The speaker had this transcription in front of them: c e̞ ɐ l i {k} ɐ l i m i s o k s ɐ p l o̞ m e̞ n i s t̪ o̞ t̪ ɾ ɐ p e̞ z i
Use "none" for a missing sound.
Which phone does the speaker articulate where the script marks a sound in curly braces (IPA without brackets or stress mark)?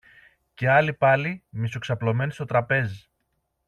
p